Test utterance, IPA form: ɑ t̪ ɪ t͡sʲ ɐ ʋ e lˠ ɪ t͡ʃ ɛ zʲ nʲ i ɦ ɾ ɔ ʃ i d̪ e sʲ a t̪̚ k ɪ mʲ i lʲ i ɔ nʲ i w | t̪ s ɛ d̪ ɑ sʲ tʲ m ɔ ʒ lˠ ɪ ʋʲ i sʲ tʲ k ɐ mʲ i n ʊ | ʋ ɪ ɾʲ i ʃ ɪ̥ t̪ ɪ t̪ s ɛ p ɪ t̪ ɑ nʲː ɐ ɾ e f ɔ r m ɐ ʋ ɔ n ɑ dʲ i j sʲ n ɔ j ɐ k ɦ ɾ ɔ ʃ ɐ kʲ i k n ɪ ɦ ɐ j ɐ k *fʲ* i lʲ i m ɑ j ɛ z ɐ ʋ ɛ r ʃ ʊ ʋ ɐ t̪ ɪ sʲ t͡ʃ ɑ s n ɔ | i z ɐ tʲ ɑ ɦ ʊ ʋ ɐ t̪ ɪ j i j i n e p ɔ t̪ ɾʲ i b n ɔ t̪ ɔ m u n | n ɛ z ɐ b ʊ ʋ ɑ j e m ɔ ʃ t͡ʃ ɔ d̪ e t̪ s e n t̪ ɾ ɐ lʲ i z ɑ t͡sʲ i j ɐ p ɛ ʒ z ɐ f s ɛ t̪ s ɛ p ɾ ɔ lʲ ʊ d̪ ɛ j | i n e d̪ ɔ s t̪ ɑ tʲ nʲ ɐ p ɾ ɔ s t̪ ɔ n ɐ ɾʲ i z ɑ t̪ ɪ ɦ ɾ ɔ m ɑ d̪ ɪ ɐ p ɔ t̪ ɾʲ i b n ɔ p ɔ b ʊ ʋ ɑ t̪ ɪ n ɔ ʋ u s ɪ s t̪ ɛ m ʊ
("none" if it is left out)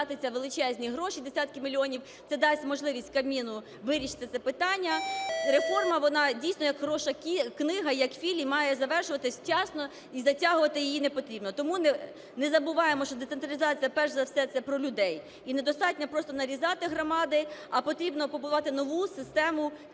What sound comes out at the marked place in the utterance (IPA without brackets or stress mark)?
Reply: fʲ